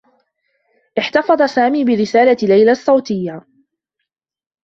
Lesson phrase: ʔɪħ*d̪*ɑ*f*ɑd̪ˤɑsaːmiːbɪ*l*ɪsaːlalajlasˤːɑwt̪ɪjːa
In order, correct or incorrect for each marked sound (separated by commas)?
incorrect, correct, incorrect